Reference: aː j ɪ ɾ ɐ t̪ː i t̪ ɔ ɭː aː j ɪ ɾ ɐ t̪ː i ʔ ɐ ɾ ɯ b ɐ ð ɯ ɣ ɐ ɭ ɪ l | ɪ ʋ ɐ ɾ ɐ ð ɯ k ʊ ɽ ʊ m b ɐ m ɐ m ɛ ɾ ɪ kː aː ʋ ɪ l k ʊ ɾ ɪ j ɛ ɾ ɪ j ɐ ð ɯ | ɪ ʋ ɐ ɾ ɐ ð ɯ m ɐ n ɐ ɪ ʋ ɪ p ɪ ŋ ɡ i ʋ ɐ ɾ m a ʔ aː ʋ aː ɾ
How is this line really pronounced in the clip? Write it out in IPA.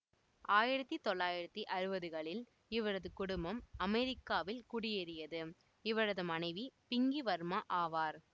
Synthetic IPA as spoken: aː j ɪ ɾ ɐ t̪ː i t̪ ɔ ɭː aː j ɪ ɾ ɐ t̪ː i ʔ ɐ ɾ ɯ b ɐ ð ɯ ɣ ɐ ɭ ɪ l | ɪ ʋ ɐ ɾ ɐ ð ɯ k ʊ ɽ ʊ m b ɐ m ɐ m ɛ ɾ ɪ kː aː ʋ ɪ l k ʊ ɽ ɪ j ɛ ɾ ɪ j ɐ ð ɯ | ɪ ʋ ɐ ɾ ɐ ð ɯ m ɐ n ɐ ɪ ʋ i p ɪ ŋ ɡ i ʋ ɐ ɾ m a ʔ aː ʋ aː ɾ